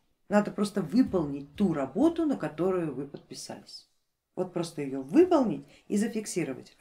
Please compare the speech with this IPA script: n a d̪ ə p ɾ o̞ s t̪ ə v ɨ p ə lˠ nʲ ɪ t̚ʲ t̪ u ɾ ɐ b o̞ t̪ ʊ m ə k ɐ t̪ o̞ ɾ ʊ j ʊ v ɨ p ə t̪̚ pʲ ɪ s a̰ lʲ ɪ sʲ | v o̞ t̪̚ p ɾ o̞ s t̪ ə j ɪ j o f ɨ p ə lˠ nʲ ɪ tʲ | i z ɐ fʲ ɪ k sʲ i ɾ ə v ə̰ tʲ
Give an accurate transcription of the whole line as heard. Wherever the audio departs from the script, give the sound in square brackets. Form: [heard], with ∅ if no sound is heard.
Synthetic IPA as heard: n a d̪ ə p ɾ o̞ s t̪ ə v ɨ p ə lˠ nʲ ɪ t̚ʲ t̪ u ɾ ɐ b o̞ t̪ ʊ [n] ə k ɐ t̪ o̞ ɾ ʊ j ʊ v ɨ p ə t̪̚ pʲ ɪ s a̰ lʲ ɪ sʲ | v o̞ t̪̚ p ɾ o̞ s t̪ ə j ɪ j o [v] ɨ p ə lˠ nʲ ɪ tʲ | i z [ə] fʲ ɪ k sʲ i ɾ ə v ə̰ tʲ